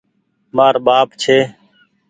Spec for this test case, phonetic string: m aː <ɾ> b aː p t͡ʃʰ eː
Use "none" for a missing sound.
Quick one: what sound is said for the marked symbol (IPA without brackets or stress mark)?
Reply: ɾ